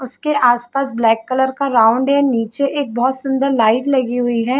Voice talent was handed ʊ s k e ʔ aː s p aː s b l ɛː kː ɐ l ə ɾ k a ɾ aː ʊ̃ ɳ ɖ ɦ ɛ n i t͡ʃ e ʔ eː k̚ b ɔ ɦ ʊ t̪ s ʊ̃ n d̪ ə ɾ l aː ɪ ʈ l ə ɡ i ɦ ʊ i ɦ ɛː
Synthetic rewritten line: ʊ s k e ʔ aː s p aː s b l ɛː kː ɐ l ə ɾ k a ɾ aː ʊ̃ ɳ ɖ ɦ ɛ n iː t͡ʃ e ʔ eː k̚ b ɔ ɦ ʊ t̪ s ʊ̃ n d̪ ə ɾ l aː ɪ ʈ l ɐ ɡ i ɦ ʊ i ɦ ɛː